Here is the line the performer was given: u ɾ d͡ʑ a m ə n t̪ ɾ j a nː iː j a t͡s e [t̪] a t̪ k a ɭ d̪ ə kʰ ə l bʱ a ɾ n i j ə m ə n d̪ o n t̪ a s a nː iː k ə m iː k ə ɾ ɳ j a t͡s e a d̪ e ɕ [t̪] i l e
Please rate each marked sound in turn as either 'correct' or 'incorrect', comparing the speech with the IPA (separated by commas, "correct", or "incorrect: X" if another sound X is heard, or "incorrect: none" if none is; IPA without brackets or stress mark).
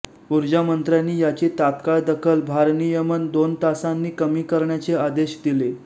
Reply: correct, incorrect: d̪